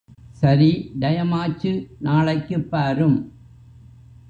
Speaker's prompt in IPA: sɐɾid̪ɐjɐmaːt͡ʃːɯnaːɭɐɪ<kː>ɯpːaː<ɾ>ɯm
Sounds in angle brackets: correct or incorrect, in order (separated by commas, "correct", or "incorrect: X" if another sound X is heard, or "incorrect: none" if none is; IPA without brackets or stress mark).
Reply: correct, correct